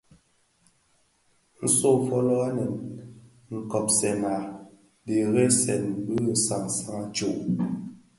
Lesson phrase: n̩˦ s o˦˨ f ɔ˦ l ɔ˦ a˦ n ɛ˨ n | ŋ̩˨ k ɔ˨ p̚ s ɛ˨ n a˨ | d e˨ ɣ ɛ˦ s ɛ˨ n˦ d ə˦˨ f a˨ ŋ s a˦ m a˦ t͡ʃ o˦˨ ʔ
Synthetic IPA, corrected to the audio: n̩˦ s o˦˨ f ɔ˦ l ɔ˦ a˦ n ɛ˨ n | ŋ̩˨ k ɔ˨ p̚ s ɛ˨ n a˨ | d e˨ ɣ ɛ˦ s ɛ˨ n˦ b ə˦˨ s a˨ ŋ s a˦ ŋ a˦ t͡ʃ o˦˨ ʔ